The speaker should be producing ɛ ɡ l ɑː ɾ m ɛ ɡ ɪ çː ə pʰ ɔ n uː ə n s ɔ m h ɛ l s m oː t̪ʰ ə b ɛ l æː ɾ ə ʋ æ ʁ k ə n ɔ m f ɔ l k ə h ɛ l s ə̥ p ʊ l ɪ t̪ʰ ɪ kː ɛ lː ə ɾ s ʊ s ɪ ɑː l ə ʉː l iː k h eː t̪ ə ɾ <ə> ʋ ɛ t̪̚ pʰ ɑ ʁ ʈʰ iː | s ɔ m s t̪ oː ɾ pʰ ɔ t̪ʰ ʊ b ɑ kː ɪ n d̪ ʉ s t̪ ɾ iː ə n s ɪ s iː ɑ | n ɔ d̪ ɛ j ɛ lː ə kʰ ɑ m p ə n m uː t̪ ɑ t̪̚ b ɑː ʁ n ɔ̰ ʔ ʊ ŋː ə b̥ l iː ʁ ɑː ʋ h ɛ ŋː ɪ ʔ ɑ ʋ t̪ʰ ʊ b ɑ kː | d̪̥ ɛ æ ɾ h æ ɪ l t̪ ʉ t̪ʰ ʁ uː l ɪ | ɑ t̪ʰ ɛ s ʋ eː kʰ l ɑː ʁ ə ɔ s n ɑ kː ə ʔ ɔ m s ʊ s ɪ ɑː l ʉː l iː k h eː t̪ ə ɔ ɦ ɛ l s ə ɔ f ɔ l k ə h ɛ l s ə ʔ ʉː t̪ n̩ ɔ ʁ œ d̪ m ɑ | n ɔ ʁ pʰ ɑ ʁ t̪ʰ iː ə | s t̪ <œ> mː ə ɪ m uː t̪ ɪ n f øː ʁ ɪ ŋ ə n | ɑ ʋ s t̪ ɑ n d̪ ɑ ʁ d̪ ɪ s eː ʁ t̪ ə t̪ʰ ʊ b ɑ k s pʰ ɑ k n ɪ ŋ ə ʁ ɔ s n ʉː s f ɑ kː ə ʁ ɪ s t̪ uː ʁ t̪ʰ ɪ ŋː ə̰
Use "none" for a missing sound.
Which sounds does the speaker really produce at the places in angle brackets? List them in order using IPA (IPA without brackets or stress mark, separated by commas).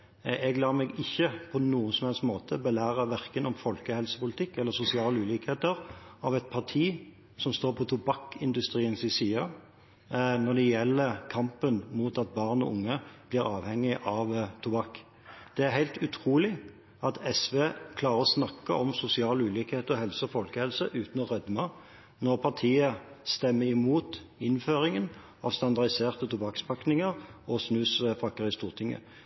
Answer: ɑ, ɛ